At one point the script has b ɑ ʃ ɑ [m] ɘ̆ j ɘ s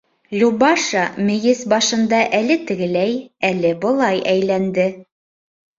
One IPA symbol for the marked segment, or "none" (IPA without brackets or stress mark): m